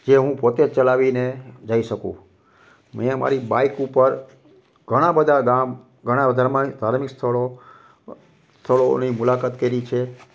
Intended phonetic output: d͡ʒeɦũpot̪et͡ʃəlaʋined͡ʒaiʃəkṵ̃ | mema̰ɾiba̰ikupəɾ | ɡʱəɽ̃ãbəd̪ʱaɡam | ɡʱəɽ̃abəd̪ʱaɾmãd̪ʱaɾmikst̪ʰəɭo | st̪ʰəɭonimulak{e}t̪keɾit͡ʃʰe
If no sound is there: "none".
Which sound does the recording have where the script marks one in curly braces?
a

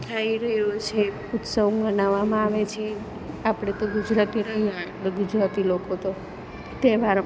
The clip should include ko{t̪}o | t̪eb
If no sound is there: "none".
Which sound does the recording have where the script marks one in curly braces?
t̪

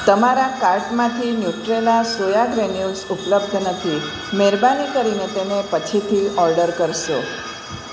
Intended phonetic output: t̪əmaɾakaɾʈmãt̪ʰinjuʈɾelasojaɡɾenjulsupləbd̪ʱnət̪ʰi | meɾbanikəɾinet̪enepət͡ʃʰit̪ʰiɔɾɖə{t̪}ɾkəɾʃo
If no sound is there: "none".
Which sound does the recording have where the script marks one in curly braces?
none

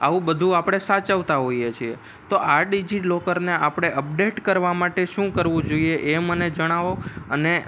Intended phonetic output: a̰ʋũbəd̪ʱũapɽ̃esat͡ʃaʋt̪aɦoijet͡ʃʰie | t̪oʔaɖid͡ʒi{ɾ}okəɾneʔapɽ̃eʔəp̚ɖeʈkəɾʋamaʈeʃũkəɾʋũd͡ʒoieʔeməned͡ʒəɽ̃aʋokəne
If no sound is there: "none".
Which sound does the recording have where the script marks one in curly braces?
l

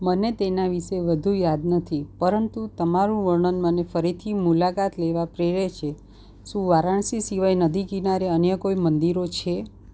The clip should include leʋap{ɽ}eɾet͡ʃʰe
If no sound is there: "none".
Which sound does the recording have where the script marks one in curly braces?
ɾ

